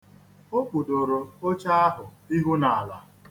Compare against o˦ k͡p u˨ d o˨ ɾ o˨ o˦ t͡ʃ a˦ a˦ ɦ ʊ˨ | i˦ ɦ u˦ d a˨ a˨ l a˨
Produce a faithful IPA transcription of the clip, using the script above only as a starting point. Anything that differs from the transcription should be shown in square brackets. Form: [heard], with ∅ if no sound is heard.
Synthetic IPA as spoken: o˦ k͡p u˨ d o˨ ɾ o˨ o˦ t͡ʃ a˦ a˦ ɦ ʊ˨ | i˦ ɦ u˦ [n] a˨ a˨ l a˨